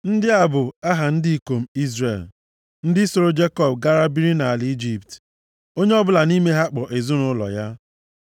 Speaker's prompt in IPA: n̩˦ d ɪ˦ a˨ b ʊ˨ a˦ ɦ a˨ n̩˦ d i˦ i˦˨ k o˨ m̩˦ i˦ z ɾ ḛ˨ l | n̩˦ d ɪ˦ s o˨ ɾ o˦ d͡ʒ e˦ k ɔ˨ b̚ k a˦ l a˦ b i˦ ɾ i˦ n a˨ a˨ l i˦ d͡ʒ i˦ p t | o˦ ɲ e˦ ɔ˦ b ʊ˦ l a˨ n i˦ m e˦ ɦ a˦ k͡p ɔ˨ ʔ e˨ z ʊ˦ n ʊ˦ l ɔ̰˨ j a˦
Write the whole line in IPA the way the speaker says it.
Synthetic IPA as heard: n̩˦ d ɪ˦ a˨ b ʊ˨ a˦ ɦ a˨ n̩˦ d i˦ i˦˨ k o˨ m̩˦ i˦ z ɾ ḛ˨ l | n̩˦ d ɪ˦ s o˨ ɾ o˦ d͡ʒ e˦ k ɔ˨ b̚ ɡ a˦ ɾ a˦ b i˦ ɾ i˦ n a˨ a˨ l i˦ d͡ʒ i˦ p t | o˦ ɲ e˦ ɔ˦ b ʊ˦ l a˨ n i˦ m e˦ ɦ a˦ k͡p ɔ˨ ʔ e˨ z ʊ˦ n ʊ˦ l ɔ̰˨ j a˦